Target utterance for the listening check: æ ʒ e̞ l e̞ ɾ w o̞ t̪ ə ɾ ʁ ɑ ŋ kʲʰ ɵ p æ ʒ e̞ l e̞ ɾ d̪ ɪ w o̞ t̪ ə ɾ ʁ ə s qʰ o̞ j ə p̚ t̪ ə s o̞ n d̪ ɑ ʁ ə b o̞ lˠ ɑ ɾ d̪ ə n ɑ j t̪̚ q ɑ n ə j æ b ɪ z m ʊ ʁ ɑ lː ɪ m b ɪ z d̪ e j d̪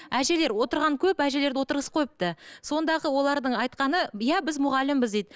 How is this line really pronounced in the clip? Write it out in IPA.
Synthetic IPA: æ ʒ e̞ l e̞ ɾ w o̞ t̪ ə ɾ ʁ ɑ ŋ kʲʰ ɵ p æ ʒ e̞ l e̞ ɾ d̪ ɪ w o̞ t̪ ə ɾ ʁ ə s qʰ o̞ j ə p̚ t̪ ə s o̞ n d̪ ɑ ʁ ə w o̞ lˠ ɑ ɾ d̪ ə ɴ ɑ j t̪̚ q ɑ n ə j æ b ɪ z m ʊ ʁ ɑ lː ɪ m b ɪ z d̪ e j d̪